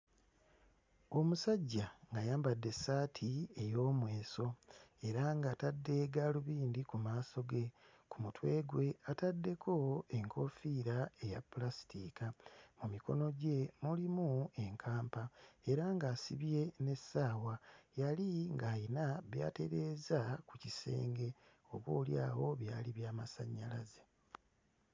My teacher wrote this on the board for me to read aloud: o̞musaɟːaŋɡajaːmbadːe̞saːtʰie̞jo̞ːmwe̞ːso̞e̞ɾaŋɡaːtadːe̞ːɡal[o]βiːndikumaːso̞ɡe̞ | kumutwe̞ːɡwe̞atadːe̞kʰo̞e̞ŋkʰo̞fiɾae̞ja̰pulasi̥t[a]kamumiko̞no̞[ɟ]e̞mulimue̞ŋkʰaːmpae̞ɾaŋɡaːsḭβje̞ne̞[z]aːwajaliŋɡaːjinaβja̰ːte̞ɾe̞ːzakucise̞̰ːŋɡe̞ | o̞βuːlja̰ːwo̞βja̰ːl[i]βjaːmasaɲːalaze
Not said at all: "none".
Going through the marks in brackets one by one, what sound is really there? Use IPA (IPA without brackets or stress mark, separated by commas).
u, i, ɟ, s, i